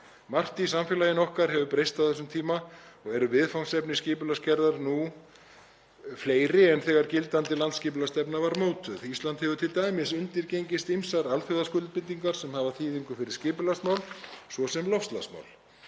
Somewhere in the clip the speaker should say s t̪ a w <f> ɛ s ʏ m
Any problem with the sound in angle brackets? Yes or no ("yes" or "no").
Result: yes